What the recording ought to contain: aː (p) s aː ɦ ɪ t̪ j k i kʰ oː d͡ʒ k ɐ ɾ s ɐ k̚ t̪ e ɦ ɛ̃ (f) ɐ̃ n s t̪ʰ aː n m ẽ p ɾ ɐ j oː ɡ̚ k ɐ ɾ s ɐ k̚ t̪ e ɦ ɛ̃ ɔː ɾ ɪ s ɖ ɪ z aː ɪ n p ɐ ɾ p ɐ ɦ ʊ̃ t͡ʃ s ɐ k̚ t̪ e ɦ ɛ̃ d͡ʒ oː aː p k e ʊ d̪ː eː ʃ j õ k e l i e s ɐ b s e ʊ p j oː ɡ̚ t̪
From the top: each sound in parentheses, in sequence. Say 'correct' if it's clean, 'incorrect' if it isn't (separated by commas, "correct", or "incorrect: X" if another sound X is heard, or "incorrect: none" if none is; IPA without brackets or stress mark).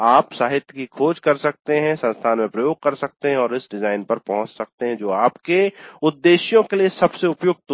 correct, incorrect: s